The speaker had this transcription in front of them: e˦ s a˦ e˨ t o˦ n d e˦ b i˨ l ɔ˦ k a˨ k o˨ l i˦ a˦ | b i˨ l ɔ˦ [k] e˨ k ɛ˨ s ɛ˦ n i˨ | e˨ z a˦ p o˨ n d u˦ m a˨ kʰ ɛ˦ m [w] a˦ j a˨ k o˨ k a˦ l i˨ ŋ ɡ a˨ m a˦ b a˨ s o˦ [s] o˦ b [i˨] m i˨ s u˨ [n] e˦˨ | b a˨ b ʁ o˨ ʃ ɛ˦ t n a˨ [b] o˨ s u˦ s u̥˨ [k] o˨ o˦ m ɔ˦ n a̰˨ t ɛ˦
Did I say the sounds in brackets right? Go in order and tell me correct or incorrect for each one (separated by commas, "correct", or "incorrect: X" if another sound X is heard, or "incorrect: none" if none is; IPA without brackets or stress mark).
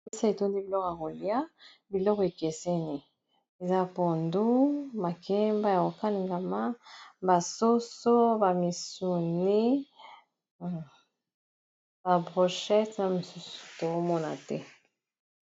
correct, incorrect: b, correct, incorrect: a˨, correct, incorrect: m, incorrect: t